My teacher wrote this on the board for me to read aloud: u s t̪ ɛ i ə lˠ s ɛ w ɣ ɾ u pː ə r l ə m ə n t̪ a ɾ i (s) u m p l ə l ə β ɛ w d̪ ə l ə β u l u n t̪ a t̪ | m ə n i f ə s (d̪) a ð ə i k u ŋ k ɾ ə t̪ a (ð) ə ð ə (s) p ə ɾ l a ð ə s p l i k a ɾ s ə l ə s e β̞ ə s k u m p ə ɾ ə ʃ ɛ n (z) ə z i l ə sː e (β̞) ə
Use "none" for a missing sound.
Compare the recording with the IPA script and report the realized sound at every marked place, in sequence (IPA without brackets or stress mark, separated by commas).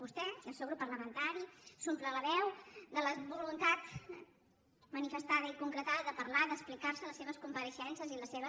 s, t̪, ð, none, s, β̞